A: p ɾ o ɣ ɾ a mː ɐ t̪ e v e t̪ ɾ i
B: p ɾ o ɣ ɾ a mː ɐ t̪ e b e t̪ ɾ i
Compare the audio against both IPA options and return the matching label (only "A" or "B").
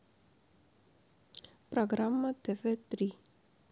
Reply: A